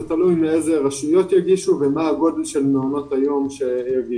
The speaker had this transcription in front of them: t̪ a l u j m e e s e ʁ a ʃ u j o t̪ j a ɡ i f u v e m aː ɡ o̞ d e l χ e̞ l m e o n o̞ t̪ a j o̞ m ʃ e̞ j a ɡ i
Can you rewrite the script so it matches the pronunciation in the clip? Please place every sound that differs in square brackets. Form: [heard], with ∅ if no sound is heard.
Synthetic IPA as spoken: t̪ a l u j m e e [z] e ʁ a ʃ u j o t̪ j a ɡ i [ʃ] u v e m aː ɡ o̞ d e l [ʃ] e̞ l m e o n o̞ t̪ a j o̞ m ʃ e̞ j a ɡ i